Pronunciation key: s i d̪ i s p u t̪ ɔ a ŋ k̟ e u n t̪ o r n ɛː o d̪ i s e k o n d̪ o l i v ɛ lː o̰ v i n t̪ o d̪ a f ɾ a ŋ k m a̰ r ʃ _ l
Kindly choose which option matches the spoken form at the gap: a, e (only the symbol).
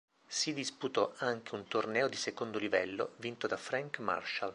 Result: a